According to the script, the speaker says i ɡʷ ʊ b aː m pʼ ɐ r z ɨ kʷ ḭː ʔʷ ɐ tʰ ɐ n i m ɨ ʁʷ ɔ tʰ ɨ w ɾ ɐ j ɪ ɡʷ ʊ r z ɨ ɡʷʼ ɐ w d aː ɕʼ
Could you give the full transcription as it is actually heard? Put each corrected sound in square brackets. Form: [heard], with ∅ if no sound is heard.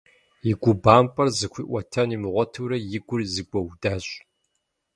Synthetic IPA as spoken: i ɡʷ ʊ b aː m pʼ ɐ r z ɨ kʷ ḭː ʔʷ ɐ tʰ ɐ n i m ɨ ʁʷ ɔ tʰ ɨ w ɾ ɐ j ɪ ɡʷ ʊ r z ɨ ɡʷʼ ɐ w d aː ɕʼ